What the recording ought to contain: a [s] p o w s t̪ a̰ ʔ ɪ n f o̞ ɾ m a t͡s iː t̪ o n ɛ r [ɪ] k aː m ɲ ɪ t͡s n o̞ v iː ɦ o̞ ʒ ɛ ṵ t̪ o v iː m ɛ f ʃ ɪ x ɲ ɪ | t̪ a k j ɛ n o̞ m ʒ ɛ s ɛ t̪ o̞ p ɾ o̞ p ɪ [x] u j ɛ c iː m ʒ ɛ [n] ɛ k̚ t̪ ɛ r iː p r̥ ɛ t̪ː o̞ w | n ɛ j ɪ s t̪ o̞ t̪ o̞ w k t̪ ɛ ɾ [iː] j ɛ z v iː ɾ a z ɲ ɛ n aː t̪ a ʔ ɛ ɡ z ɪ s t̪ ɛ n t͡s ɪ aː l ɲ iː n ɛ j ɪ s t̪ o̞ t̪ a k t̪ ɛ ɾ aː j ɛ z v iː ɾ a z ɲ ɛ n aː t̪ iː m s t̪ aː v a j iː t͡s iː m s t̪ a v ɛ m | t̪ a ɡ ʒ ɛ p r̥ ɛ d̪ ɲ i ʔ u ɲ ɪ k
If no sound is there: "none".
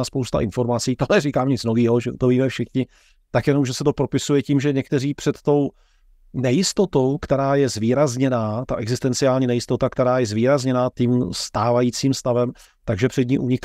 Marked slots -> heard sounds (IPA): s, i, s, ɲ, aː

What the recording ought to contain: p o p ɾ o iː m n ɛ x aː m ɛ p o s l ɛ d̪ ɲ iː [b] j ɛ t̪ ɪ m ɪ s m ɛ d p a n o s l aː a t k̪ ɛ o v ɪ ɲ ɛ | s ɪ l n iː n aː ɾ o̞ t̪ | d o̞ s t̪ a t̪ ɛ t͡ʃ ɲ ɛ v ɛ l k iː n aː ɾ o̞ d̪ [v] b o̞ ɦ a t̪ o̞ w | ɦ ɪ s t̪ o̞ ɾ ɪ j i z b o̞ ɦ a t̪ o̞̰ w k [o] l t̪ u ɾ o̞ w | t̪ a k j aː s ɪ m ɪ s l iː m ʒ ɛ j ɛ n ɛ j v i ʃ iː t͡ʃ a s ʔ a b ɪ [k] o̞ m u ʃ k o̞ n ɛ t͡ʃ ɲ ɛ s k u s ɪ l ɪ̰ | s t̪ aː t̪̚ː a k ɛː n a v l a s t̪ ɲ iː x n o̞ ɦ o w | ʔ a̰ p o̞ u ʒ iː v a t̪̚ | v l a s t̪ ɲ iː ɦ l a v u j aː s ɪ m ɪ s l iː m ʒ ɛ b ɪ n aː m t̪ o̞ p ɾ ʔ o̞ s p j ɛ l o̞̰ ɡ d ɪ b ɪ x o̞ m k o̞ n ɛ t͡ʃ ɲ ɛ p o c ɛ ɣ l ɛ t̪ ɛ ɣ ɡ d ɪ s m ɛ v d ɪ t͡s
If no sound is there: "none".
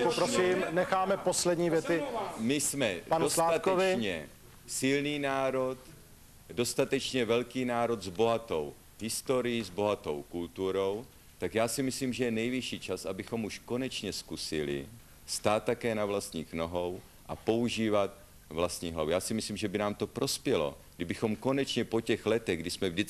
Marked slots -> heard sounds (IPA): v, z, u, x

